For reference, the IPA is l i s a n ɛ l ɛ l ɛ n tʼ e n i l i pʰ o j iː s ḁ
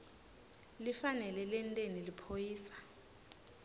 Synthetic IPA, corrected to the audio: l i f a n ɛ l ɛ l ɛ n tʼ e n i l i pʰ o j iː s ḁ